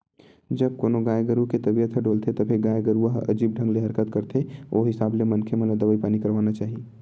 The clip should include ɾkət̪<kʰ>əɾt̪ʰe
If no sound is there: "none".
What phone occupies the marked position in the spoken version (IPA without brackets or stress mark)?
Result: k